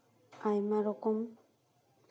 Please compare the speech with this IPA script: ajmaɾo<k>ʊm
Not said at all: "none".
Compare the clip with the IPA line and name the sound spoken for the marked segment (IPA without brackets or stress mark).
k